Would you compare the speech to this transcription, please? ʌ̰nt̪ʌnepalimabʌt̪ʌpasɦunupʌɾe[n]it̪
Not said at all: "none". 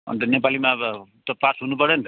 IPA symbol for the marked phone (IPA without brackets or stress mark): n